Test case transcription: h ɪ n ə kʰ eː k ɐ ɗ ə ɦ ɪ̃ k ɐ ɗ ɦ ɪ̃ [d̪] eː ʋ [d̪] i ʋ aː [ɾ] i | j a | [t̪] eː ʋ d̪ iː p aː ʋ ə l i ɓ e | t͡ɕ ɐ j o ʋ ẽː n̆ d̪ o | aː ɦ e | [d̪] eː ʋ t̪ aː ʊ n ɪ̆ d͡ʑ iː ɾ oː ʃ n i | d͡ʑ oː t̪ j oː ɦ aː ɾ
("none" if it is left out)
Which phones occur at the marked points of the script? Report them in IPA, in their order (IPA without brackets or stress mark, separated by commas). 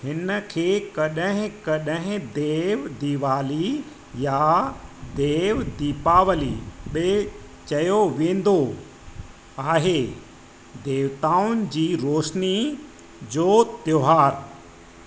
d̪, d̪, l, d̪, d̪